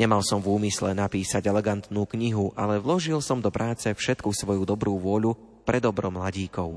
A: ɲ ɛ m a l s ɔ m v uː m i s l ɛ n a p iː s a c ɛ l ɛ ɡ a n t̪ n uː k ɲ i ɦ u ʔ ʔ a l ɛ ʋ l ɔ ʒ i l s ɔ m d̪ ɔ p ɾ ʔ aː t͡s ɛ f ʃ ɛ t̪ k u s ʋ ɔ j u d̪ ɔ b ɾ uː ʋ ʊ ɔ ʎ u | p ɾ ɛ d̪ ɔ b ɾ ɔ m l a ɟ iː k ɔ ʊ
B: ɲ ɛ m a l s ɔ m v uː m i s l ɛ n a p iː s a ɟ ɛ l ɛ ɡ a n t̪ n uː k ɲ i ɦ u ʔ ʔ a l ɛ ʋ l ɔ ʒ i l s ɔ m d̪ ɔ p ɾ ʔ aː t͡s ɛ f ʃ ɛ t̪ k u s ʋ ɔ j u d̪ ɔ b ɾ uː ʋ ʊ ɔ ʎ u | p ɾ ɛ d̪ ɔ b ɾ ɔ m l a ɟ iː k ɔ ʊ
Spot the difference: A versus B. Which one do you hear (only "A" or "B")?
B